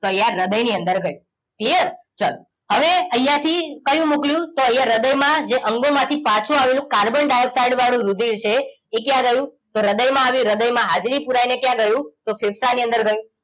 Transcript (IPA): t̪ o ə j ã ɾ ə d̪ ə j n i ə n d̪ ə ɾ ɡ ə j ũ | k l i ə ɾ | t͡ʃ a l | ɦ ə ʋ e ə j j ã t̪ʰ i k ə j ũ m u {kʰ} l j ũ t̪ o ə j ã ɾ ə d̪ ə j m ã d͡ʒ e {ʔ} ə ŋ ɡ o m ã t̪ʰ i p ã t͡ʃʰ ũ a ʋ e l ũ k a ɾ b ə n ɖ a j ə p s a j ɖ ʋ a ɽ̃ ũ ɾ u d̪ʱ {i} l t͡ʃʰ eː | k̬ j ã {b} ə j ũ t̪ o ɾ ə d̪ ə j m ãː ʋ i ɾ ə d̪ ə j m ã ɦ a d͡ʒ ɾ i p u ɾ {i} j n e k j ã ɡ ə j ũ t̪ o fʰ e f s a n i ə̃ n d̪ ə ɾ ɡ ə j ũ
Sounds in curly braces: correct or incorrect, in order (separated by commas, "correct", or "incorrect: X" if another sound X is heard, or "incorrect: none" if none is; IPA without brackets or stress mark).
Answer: incorrect: k, correct, correct, incorrect: ɡ, incorrect: a